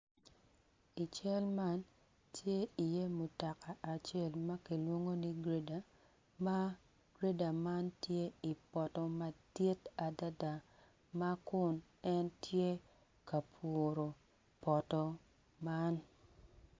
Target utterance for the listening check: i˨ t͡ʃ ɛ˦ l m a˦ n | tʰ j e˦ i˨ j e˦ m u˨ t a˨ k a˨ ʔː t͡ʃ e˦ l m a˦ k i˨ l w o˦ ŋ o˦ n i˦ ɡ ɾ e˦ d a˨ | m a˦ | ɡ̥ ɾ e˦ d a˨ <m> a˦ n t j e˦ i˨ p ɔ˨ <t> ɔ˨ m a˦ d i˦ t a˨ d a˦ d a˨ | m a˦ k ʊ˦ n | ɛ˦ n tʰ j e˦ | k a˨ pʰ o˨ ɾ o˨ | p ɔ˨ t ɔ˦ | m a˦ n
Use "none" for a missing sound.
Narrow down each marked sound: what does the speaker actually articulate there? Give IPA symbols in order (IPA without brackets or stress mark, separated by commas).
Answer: m, t